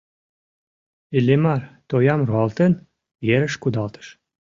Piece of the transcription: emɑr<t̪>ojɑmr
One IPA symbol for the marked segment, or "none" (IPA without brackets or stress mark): t̪